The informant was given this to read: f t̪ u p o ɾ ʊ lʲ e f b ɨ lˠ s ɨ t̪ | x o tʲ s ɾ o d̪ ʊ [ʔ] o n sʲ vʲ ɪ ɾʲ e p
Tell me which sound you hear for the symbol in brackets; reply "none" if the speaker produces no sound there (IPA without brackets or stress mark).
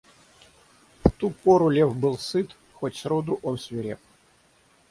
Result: ʔ